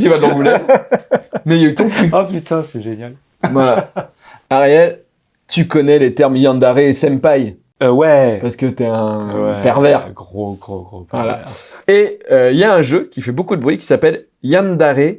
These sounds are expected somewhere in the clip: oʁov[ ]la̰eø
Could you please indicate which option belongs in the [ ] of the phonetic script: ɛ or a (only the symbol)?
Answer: a